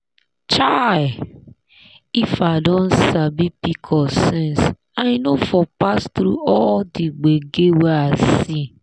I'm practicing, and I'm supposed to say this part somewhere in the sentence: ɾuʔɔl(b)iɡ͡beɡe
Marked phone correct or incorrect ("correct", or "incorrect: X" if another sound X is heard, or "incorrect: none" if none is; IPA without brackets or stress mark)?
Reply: incorrect: d